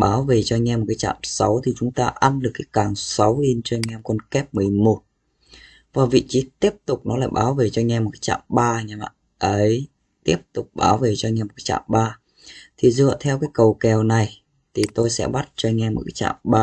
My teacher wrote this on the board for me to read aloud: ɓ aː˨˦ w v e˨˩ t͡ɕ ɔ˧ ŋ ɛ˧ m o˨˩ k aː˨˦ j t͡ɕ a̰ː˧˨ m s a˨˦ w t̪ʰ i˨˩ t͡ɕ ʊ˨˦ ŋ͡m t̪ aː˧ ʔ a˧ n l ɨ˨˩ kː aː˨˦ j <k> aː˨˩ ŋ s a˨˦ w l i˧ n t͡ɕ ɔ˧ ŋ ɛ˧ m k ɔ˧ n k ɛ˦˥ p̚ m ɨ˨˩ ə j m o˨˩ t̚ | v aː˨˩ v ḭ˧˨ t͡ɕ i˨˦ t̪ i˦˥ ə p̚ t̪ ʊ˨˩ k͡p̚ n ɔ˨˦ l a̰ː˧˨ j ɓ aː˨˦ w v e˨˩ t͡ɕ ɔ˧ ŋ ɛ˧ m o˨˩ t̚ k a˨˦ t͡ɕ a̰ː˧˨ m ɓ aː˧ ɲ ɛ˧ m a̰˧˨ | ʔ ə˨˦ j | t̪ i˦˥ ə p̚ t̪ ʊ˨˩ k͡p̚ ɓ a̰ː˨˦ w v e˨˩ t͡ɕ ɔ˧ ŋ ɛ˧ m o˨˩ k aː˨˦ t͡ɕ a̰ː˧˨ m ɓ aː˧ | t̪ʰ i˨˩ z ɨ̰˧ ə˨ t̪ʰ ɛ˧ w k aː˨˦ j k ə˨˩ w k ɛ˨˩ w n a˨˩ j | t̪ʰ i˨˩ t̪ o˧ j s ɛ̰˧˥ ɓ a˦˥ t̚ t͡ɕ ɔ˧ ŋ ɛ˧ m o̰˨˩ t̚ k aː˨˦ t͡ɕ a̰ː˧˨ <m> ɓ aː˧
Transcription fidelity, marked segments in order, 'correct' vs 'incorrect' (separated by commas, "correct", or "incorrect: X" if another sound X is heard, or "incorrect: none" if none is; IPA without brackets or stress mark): correct, correct